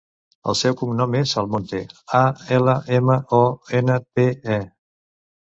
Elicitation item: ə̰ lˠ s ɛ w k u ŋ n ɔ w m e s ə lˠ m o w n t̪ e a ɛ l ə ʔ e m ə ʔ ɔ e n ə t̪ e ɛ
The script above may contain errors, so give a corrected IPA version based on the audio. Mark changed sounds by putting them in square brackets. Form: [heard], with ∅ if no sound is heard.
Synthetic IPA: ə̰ lˠ s ɛ w k u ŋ n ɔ [∅] m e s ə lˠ m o [∅] n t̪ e a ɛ l ə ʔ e m ə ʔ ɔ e n ə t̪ e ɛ